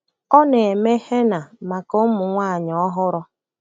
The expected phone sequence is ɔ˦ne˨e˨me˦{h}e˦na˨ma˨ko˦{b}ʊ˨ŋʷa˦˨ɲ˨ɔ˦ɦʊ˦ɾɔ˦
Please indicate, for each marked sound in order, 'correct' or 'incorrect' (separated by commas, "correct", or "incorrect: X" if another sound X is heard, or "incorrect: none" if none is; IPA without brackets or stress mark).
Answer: correct, incorrect: m